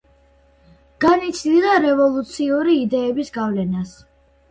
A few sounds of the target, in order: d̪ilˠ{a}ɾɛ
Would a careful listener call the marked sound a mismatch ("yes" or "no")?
no